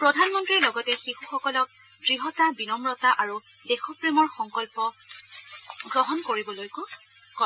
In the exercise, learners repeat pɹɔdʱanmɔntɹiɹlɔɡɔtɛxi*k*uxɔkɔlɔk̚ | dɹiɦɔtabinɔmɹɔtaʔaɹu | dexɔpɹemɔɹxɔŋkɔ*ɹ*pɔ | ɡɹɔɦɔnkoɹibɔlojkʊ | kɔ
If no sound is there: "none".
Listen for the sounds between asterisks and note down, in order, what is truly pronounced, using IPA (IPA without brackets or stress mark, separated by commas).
x, l